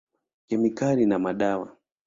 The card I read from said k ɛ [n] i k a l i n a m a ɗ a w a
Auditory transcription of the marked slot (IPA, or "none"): m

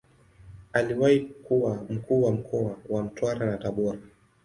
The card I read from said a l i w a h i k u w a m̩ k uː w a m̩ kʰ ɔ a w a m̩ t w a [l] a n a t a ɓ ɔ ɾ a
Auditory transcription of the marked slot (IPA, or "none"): ɾ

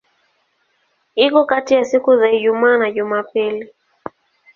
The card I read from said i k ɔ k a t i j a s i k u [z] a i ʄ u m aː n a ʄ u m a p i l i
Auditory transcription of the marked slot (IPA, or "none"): z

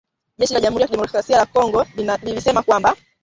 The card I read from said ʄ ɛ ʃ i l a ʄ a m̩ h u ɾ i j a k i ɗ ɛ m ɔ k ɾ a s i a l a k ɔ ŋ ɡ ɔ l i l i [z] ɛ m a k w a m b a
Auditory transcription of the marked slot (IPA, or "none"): s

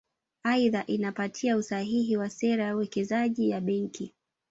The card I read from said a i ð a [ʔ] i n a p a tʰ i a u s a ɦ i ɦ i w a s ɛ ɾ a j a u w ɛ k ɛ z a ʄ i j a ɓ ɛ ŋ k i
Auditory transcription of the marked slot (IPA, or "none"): ʔ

